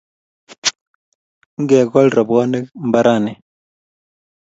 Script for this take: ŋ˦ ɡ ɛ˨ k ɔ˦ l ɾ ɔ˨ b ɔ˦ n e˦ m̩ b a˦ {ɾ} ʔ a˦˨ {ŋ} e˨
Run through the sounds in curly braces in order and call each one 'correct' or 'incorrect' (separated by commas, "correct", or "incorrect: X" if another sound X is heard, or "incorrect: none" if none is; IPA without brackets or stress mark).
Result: correct, incorrect: n